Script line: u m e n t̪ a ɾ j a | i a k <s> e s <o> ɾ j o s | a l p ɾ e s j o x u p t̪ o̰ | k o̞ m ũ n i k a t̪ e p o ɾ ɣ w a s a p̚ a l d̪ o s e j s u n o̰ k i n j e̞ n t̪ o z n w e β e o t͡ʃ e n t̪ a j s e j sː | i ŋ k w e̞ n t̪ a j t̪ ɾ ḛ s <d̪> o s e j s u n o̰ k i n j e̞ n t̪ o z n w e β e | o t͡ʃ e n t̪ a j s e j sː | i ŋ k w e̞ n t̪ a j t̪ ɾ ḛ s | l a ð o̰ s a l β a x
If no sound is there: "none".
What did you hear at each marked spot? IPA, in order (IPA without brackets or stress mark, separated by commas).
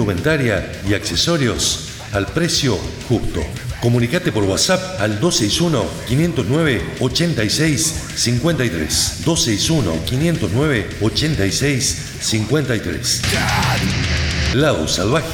s, o, d̪